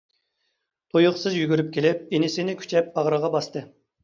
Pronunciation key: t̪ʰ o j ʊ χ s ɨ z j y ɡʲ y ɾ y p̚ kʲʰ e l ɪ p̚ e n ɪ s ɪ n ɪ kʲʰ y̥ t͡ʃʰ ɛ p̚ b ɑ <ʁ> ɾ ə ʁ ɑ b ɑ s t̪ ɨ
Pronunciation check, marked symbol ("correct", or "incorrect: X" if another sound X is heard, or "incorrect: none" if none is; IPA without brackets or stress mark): correct